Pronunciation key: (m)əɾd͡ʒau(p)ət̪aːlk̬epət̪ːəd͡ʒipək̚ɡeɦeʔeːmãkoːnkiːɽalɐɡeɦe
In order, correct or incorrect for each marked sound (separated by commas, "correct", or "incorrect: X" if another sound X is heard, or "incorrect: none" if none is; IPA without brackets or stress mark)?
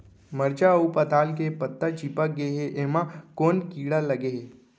correct, correct